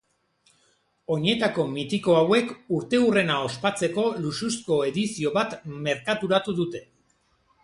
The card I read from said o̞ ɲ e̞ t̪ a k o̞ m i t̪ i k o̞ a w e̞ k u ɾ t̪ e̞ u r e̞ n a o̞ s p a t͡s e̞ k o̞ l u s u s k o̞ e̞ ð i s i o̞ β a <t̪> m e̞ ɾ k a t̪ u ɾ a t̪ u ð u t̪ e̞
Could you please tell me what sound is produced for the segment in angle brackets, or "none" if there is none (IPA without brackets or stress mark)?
t̪